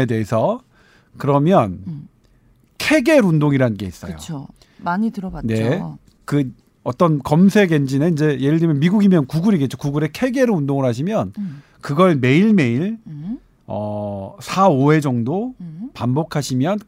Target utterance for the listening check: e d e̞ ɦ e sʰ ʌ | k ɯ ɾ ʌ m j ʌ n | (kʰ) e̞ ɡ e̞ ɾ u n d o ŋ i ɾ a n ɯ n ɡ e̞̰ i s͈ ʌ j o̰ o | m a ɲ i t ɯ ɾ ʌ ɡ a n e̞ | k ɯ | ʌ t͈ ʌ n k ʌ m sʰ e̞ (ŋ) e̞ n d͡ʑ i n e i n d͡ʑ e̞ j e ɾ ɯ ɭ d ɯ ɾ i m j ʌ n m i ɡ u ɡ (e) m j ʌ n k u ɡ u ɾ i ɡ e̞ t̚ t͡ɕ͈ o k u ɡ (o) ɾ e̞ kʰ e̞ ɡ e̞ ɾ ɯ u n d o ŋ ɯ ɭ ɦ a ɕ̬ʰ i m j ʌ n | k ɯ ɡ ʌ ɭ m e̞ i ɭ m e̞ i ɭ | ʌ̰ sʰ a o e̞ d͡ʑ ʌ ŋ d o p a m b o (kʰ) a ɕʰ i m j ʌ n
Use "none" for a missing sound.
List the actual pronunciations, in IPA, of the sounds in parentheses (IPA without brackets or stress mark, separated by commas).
kʰ, ɡ, i, u, kʰ